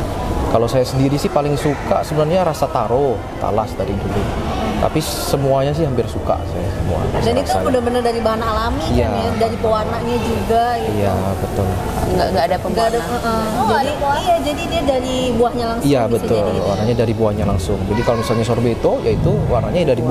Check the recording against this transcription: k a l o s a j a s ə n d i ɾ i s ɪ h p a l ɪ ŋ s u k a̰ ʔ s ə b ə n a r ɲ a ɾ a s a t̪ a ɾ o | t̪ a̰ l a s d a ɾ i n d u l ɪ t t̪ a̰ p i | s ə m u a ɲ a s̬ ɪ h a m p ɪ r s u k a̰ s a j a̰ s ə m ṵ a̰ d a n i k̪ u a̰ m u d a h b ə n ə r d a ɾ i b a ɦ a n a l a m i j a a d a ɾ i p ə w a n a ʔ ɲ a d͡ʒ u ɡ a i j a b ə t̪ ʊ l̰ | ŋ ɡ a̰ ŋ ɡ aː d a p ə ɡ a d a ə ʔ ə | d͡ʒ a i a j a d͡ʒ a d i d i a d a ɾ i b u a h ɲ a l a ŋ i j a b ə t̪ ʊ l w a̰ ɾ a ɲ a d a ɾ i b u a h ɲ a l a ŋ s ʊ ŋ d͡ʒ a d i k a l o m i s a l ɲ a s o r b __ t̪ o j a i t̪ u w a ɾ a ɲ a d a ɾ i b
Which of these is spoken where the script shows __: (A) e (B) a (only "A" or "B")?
A